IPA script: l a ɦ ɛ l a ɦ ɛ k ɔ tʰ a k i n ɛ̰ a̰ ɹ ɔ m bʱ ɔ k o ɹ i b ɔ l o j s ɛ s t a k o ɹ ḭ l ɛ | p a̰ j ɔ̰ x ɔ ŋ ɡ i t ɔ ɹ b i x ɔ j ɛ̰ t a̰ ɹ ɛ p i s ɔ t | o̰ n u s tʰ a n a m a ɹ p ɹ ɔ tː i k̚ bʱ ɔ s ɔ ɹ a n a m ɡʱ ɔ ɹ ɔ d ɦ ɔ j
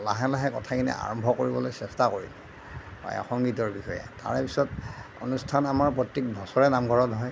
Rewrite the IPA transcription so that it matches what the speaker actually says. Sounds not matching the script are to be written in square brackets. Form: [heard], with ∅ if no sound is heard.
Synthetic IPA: l a ɦ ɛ l a ɦ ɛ k ɔ tʰ a k i n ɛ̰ a̰ ɹ ɔ m bʱ ɔ k o ɹ i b ɔ l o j s ɛ s t a k o ɹ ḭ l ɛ | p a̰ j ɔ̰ x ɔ ŋ ɡ i t ɔ ɹ b i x ɔ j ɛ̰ t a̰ ɹ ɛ p i s ɔ t | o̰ n u s tʰ a n a m a ɹ p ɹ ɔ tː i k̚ bʱ ɔ s ɔ ɹ [ɛ] n a m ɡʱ ɔ ɹ ɔ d ɦ ɔ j

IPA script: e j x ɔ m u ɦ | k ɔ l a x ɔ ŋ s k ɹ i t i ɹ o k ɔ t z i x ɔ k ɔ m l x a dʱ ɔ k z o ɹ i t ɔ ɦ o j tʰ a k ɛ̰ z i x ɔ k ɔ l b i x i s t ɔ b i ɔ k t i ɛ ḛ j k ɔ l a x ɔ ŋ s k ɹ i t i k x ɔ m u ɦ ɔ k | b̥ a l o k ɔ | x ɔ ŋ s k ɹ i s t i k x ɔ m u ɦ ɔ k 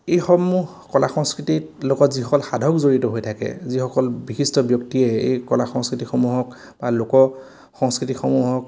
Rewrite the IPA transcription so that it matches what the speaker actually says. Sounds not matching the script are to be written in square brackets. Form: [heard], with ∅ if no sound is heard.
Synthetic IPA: e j x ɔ m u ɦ | k ɔ l a x ɔ ŋ s k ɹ i t i [l] o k ɔ t z i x ɔ k ɔ [∅] l x a dʱ ɔ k z o ɹ i t ɔ ɦ o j tʰ a k ɛ̰ z i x ɔ k ɔ l b i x i s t ɔ b [j] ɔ k t i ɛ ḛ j k ɔ l a x ɔ ŋ s k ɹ i t i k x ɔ m u ɦ ɔ k | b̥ a l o k ɔ | x ɔ ŋ s k ɹ i [∅] t i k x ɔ m u ɦ ɔ k

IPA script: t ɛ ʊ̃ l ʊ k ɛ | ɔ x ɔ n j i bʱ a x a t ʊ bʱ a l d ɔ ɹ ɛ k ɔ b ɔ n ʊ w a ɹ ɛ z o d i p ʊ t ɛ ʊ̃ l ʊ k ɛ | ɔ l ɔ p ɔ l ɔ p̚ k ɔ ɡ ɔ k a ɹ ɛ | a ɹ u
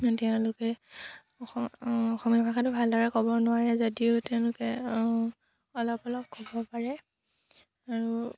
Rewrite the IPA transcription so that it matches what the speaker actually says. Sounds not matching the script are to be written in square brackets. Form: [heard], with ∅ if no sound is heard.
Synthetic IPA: t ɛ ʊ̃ l ʊ k ɛ | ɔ x ɔ [m] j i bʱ a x a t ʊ bʱ a l d ɔ ɹ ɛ k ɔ b ɔ n ʊ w a ɹ ɛ z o d i [∅] ʊ t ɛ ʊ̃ l ʊ k ɛ | ɔ l ɔ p ɔ l ɔ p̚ k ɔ [b] ɔ [p] a ɹ ɛ | a ɹ u

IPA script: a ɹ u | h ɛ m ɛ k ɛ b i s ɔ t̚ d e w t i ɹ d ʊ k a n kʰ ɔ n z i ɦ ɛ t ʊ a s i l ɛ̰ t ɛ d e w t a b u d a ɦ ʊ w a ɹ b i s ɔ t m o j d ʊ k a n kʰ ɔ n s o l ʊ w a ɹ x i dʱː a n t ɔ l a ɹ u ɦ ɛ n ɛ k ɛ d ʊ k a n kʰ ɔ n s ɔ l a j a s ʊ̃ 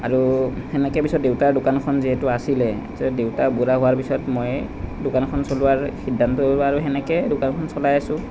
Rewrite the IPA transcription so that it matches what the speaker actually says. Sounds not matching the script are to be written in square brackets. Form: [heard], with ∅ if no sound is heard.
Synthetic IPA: a ɹ u | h ɛ [n] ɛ k ɛ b i s ɔ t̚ d e w t [a] ɹ d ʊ k a n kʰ ɔ n z i ɦ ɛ t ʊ a s i l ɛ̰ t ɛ d e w t a b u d a ɦ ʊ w a ɹ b i s ɔ t m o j d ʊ k a n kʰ ɔ n s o l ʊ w a ɹ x i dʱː a n t ɔ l a ɹ u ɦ ɛ n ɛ k ɛ d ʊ k a n kʰ ɔ n s ɔ l a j a s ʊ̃

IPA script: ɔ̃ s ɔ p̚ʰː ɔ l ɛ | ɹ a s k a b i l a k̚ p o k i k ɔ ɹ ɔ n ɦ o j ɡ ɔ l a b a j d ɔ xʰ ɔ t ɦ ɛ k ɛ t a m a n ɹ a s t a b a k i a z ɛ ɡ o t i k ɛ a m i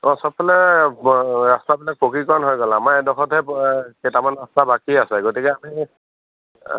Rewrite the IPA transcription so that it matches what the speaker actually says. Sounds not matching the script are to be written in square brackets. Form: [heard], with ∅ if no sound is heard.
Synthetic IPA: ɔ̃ s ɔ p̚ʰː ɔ l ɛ | ɹ a s [t] a b i l a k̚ p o k i k ɔ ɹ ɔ n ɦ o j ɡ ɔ l a [m] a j d ɔ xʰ ɔ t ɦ ɛ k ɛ t a m a n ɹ a s t a b a k i a [s] ɛ ɡ o t i k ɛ a m i

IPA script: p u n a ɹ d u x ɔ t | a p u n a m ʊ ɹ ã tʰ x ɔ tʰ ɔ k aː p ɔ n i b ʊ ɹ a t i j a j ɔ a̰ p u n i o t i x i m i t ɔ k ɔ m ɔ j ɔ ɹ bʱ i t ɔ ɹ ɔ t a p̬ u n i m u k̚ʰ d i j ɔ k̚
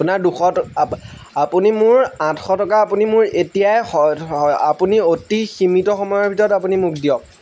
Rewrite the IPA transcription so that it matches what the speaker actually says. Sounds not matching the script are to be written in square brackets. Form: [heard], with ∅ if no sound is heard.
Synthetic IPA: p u n a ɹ d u x ɔ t | a p u n [i] m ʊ ɹ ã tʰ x ɔ [t] ɔ k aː p [u] n i [m] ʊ ɹ [e] t i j a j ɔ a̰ p u n i o t i x i m i t ɔ [x] ɔ m ɔ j ɔ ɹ bʱ i t ɔ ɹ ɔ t a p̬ u n i m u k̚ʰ d i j ɔ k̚

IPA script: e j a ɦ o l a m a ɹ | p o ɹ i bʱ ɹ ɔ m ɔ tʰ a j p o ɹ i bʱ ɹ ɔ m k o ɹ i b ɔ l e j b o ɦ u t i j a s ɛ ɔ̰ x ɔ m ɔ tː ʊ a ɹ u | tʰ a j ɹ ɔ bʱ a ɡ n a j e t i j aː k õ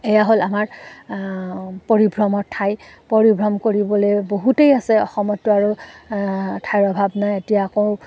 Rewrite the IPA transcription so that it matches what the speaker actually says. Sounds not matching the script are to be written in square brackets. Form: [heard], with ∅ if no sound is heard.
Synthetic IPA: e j a ɦ o l a m a ɹ | p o ɹ i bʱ ɹ ɔ m ɔ tʰ a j p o ɹ i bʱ ɹ ɔ m k o ɹ i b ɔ l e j b o ɦ u t [e] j a s ɛ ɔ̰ x ɔ m ɔ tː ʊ a ɹ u | tʰ a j ɹ ɔ bʱ a [b] n a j e t i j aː k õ

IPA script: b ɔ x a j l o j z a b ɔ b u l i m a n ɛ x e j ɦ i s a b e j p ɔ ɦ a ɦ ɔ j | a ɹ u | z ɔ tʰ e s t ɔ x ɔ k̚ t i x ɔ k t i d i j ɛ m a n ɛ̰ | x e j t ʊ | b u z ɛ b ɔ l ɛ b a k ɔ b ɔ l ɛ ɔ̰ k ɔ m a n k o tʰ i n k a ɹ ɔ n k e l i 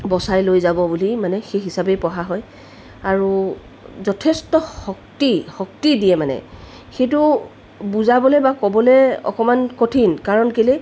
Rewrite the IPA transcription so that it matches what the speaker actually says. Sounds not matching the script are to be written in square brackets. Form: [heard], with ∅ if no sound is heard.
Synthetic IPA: b ɔ [s] a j l o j z a b ɔ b u l i m a n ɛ x e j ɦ i s a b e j p ɔ ɦ a ɦ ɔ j | a ɹ u | z ɔ tʰ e s t ɔ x ɔ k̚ t i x ɔ k t i d i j ɛ m a n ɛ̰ | x e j t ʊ | b u z [a] b ɔ l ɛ b a k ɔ b ɔ l ɛ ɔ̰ k ɔ m a n k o tʰ i n k a ɹ ɔ n k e l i

